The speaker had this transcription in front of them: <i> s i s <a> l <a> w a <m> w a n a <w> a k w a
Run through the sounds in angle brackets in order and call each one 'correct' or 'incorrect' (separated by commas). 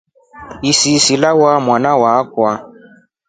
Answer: correct, incorrect, correct, correct, correct